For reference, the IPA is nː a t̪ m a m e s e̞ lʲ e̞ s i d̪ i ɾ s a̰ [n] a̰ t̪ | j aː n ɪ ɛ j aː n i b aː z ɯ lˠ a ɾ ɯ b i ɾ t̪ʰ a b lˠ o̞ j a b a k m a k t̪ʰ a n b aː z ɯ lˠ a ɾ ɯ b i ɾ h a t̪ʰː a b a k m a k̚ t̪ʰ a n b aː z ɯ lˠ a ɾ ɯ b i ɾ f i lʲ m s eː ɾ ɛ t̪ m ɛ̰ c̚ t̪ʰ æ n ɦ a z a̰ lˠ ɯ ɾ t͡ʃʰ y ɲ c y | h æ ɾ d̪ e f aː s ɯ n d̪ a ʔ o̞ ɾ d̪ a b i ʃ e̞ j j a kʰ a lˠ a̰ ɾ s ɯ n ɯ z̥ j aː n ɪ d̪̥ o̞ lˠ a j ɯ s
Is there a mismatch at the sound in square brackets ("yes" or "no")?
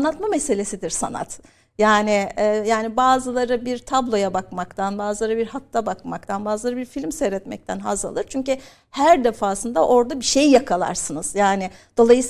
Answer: no